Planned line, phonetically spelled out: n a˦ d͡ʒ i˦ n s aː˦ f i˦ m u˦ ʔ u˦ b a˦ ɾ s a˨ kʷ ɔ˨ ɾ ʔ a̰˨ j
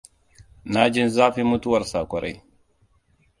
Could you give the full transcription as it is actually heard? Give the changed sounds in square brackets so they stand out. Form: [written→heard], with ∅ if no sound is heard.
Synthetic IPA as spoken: n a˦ d͡ʒ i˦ n [s→z] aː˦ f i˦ m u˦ [ʔ→t] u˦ [b→w] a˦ ɾ s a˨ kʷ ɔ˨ ɾ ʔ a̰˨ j